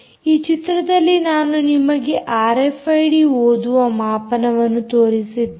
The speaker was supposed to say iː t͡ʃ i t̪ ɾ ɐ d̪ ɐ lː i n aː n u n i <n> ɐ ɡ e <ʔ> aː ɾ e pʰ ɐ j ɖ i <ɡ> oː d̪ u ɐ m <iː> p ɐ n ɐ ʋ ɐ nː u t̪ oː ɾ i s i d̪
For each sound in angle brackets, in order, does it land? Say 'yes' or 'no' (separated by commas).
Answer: no, yes, no, no